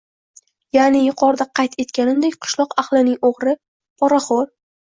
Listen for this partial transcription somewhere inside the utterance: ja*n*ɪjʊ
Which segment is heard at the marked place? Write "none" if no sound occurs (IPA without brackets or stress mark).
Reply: n